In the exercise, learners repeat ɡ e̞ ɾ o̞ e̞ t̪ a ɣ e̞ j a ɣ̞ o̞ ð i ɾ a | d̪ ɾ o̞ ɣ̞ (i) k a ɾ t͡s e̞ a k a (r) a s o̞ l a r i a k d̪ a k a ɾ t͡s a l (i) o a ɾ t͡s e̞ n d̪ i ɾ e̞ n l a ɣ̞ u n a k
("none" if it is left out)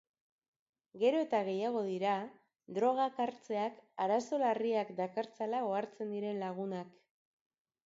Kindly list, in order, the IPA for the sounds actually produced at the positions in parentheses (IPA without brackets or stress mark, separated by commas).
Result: a, ɾ, a